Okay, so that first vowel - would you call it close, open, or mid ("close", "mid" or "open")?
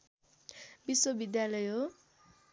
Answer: close